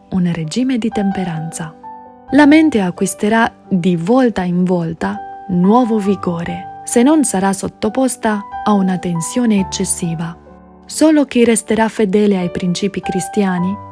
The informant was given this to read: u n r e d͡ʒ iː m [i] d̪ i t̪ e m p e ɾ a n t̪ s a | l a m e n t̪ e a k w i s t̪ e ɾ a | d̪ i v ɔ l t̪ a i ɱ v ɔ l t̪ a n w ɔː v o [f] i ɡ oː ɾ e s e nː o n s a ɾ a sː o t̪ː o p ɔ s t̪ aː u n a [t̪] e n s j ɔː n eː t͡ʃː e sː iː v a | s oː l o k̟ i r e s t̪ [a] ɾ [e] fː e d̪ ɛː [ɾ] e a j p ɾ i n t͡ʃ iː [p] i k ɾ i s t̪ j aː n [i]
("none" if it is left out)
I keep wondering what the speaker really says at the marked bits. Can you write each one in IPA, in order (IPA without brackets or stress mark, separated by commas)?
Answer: e, v, t̪, e, a, l, p, i